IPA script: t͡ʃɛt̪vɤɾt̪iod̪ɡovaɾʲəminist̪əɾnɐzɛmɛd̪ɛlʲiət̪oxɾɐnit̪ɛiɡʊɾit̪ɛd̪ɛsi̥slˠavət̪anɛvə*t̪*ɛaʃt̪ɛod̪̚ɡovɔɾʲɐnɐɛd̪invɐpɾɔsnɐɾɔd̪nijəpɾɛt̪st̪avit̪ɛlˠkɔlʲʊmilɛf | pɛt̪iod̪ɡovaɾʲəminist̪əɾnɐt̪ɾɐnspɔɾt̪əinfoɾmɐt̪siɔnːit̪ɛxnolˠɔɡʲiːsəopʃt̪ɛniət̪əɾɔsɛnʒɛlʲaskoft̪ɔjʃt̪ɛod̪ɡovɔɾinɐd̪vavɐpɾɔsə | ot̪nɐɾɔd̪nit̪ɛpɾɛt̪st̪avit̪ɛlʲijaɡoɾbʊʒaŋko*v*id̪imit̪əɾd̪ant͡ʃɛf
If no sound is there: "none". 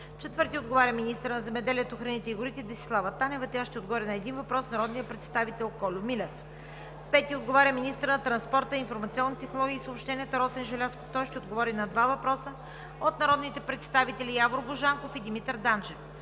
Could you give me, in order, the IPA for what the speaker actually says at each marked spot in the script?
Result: t̪, f

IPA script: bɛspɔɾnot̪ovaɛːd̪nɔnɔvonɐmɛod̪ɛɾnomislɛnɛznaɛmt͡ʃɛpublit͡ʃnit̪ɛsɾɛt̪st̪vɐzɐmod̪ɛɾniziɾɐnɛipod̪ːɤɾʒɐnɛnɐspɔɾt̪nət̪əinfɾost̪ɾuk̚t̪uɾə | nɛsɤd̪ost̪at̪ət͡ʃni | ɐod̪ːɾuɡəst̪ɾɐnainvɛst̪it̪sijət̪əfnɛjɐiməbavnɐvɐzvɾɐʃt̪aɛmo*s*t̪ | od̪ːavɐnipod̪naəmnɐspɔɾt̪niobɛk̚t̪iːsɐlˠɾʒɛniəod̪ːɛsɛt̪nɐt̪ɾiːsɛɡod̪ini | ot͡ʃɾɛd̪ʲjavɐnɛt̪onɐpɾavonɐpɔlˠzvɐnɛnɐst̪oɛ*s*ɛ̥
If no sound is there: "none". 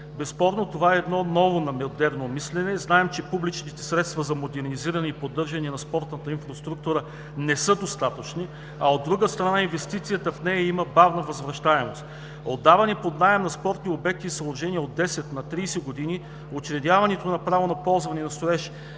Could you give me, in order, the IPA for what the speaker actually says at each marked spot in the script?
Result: s, ʃ

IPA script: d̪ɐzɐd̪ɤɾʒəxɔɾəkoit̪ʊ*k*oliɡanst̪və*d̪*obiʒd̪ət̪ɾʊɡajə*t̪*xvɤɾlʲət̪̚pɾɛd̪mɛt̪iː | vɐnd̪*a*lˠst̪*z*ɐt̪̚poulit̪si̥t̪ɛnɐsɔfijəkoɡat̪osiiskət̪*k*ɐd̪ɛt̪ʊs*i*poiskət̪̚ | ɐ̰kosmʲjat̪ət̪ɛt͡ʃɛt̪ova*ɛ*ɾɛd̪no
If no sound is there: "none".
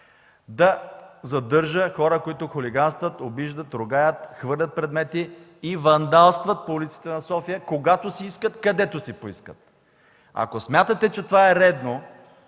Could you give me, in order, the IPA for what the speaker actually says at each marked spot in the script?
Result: x, t̪, t̪, a, v, k, i, ɛ

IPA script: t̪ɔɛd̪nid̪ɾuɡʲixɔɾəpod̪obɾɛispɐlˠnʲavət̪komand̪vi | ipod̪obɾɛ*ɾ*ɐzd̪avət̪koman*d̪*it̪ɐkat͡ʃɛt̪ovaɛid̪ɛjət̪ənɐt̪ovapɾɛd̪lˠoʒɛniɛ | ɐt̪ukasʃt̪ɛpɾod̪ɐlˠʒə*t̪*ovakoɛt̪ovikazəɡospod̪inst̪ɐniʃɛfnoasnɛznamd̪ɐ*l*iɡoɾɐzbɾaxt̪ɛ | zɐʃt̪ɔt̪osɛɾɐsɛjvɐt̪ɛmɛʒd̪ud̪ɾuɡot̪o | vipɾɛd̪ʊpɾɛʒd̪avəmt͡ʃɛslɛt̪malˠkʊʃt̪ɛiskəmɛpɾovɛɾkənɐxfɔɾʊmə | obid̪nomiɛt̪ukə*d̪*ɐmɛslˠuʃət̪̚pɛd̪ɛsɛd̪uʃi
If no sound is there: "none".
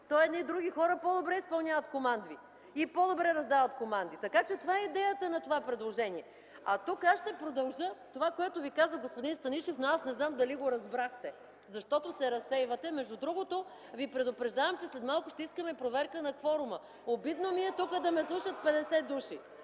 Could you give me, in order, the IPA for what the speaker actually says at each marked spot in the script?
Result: ɾ, d̪, t̪, l, d̪

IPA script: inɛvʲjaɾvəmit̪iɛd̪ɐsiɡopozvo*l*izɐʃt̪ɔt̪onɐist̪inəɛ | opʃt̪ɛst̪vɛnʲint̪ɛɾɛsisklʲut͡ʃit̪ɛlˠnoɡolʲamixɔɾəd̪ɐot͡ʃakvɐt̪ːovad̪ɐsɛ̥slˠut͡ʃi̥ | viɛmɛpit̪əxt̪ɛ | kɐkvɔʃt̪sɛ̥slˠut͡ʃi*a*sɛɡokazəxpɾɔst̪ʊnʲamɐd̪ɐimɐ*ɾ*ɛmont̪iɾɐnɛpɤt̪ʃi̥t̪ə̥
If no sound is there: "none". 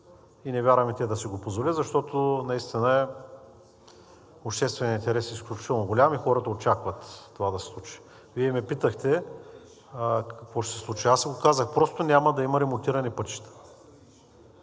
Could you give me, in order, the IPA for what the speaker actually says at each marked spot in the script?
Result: l, a, ɾ

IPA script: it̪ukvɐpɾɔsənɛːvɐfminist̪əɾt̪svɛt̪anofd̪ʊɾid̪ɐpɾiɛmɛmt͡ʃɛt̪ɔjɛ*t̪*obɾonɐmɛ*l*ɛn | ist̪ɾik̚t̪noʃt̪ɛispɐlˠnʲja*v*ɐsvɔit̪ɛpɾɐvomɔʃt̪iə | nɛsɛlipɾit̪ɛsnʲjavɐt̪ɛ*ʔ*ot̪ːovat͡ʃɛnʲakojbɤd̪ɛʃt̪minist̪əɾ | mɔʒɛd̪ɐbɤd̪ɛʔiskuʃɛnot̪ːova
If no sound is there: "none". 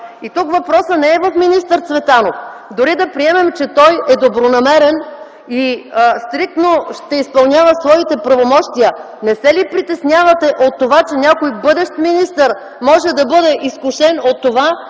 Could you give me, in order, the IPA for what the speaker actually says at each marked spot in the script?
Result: d̪, ɾ, v, ʔ

